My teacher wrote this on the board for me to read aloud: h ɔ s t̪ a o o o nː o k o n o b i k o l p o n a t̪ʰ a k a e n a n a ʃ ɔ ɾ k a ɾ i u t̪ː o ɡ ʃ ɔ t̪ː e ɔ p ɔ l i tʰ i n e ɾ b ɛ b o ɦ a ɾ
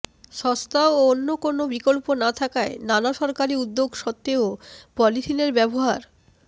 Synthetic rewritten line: ʃ ɔ s t̪ a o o o nː o k o n o b i k o l p o n a t̪ʰ a k a e n a n a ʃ ɔ ɾ k a ɾ i u d̪ː o ɡ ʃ ɔ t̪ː e o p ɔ l i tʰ i n e ɾ b ɛ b o ɦ a ɾ